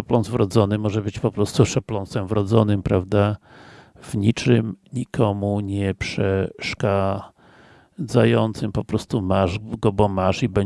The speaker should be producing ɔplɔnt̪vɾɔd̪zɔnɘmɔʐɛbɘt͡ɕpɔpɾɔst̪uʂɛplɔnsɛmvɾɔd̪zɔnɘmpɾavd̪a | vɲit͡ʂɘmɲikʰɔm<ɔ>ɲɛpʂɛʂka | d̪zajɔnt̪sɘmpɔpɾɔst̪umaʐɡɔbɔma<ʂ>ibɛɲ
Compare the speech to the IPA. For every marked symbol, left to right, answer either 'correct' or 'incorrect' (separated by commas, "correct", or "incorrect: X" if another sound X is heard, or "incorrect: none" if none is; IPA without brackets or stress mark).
incorrect: u, correct